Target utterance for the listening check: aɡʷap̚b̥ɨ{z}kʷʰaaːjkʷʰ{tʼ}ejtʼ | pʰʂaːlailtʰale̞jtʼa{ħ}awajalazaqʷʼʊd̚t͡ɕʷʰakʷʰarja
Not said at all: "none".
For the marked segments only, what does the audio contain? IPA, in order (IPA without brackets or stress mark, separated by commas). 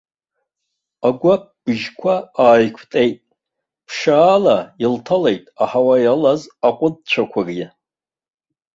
ʒ, tʼ, ħ